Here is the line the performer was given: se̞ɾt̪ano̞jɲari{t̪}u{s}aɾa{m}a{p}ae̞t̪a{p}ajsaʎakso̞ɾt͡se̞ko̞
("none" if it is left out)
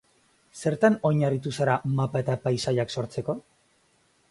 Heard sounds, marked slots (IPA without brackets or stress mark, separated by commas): t̪, s, m, p, p